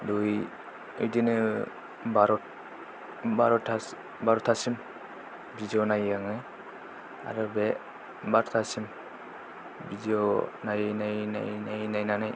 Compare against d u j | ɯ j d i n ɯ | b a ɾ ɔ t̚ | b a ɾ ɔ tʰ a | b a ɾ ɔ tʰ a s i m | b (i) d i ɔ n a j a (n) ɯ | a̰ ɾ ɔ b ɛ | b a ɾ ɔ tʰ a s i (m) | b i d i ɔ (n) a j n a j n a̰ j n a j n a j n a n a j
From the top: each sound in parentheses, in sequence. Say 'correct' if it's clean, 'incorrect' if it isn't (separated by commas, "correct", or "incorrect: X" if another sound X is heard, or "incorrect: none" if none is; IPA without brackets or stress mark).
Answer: correct, incorrect: ŋ, correct, correct